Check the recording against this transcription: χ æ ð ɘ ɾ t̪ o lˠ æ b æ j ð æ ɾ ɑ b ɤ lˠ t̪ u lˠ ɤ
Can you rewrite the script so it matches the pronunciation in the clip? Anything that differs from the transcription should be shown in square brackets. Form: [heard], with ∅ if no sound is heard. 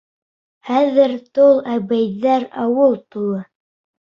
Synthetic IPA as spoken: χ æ ð ɘ ɾ t̪ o lˠ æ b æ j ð æ ɾ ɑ [w] ɤ lˠ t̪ u lˠ ɤ